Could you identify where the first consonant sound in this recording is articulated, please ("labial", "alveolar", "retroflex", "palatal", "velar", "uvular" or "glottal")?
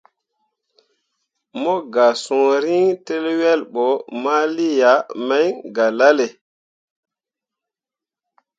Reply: labial